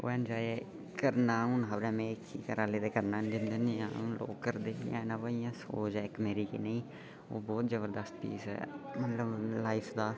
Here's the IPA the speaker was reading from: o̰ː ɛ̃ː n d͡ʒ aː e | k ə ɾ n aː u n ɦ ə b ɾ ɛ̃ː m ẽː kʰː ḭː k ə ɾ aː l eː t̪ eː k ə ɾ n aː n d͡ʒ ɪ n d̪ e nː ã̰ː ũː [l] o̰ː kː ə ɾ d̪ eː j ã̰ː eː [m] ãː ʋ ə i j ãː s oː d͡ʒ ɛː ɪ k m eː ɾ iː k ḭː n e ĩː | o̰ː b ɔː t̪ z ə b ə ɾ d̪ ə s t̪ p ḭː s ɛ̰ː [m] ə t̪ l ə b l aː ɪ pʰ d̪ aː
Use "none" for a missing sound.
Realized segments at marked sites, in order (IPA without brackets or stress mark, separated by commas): l, n, m